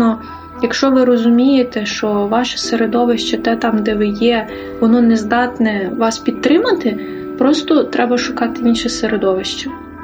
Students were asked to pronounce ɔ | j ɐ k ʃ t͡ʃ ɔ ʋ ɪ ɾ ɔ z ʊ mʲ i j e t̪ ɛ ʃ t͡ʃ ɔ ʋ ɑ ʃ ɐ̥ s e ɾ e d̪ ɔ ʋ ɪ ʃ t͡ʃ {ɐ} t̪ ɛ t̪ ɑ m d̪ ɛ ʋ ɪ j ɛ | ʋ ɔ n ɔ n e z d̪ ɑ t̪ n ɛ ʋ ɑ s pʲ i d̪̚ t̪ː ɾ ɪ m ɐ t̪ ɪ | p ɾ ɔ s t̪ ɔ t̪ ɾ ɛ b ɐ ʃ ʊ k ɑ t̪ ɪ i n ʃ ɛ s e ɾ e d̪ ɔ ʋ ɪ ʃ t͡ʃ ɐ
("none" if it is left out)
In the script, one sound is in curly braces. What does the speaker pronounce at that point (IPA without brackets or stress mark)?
ɐ